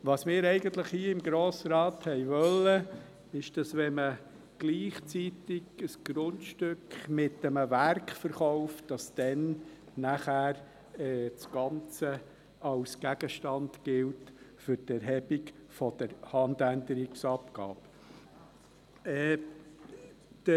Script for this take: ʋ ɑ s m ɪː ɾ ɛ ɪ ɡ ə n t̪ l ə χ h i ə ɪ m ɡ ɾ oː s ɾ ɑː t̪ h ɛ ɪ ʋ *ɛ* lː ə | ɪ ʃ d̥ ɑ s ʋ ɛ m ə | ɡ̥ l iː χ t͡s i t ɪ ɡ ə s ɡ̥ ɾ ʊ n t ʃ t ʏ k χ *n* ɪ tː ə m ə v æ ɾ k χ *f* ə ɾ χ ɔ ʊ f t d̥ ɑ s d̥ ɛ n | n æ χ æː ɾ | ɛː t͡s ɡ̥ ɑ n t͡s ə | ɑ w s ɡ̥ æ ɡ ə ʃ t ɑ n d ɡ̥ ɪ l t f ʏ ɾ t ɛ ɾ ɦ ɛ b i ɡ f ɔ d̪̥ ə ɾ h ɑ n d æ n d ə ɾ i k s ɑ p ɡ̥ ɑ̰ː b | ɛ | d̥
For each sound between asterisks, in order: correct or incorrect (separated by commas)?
incorrect, incorrect, correct